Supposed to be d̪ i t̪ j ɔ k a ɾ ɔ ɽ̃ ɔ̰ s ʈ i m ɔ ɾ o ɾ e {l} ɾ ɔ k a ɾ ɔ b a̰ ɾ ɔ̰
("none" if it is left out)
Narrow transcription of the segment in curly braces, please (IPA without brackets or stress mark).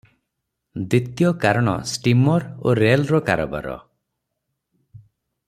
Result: l